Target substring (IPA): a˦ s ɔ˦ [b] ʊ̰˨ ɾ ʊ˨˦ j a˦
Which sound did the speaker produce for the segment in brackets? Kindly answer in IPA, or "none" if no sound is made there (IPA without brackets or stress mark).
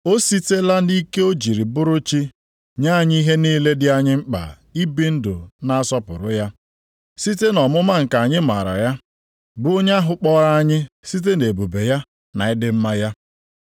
p